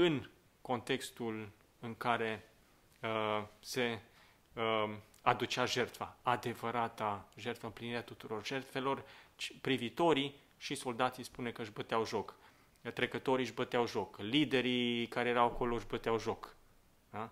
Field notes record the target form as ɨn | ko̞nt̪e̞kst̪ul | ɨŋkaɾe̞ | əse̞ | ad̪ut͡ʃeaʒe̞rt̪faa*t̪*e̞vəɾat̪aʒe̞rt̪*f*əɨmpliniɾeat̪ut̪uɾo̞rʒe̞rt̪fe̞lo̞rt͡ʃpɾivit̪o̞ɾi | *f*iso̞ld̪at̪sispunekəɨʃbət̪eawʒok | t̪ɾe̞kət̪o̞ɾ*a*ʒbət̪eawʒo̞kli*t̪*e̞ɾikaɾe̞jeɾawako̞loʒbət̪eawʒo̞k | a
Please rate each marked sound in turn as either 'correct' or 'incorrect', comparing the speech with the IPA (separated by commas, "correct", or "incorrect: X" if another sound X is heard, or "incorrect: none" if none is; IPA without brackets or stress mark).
incorrect: d̪, correct, incorrect: ʃ, incorrect: i, incorrect: d̪